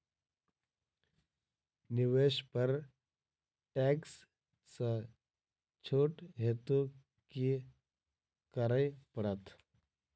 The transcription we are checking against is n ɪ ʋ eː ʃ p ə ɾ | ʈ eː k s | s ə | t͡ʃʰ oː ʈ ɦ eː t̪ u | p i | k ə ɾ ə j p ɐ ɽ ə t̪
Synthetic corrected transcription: n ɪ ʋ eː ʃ p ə ɾ | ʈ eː k s | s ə | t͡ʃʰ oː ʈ ɦ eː t̪ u | k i | k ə ɾ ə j p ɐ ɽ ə t̪